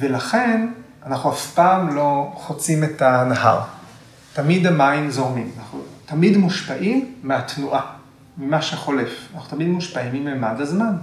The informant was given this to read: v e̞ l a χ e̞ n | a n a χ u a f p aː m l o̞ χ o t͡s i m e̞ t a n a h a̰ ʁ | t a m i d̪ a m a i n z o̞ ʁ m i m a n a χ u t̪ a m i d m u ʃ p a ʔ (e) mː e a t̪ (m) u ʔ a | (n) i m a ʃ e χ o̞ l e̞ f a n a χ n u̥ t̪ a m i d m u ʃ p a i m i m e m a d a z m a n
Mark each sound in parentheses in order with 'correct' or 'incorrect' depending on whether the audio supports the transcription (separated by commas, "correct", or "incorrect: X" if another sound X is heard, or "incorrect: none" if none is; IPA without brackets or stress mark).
incorrect: i, incorrect: n, incorrect: m